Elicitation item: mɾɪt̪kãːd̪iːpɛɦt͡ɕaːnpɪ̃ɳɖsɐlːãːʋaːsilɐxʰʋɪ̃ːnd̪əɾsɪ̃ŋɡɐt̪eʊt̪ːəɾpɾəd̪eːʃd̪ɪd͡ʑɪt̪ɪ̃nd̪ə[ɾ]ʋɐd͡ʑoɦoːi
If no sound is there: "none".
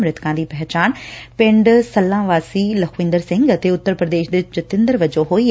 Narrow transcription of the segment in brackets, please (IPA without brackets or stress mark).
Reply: ɾ